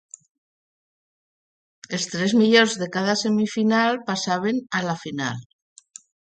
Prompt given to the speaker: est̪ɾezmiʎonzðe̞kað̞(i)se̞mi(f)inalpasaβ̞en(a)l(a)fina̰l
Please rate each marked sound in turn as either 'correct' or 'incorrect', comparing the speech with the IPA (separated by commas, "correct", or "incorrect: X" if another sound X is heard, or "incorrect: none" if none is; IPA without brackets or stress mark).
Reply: incorrect: a, correct, correct, correct